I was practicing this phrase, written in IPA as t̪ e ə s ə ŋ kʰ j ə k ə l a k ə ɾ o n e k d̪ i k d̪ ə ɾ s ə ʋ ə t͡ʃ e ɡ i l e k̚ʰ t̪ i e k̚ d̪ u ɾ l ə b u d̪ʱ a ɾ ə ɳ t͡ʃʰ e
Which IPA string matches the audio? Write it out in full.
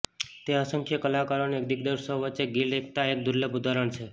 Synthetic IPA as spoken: t̪ e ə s ə ŋ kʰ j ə k ə l a k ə ɾ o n e k d̪ i k d̪ ə ɾ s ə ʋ ə t͡ʃ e ɡ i l e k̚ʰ t̪ a e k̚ d̪ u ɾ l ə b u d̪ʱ a ɾ ə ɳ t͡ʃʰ e